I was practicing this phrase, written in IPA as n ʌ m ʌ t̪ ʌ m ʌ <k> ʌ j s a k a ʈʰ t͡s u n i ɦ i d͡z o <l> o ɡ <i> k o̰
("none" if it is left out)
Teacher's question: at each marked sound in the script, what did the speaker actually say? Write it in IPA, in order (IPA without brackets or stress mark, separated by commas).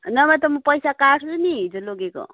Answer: p, l, e